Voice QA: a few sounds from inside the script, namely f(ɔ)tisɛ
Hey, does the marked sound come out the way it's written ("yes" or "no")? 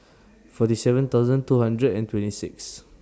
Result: yes